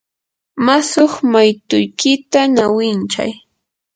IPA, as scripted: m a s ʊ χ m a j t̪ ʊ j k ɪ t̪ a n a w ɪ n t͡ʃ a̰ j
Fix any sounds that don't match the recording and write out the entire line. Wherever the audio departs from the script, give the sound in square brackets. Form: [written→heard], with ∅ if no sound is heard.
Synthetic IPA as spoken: m a s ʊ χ m a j t̪ ʊ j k ɪ t̪ a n a w ɪ n t͡ʃ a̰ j